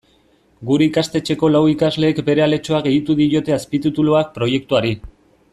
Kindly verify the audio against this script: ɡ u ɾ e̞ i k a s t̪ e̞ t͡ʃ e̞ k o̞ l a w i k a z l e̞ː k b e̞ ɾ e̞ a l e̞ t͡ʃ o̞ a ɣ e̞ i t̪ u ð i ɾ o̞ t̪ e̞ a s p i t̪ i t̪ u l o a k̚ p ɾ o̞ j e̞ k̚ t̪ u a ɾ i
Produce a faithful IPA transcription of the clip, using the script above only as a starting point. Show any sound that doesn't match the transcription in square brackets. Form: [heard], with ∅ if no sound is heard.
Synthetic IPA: ɡ u ɾ e̞ i k a s t̪ e̞ t͡ʃ e̞ k o̞ l a w i k a z l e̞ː k b e̞ ɾ e̞ a l e̞ t͡ʃ o̞ a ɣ e̞ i t̪ u ð i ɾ o̞ t̪ e̞ a s p i t̪ i t̪ u l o a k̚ p ɾ o̞ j e̞ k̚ t̪ u a ɾ i